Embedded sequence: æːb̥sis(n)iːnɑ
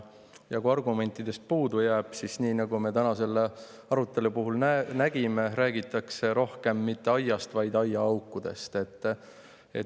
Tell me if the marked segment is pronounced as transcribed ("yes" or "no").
yes